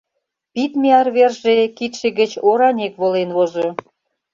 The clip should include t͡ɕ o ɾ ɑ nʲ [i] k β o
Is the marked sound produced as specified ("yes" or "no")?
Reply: no